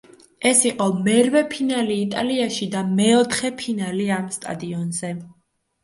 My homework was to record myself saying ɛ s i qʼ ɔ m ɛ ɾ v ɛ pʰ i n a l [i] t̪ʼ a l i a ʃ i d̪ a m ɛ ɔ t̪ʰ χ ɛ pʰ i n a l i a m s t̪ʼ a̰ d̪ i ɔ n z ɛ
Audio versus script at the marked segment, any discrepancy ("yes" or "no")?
yes